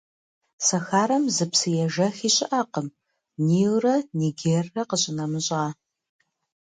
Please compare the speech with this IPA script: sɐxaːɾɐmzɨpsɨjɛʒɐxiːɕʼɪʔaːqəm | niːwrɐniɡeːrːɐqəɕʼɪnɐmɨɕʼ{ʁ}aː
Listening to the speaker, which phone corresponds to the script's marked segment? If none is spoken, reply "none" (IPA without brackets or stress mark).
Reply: ʁ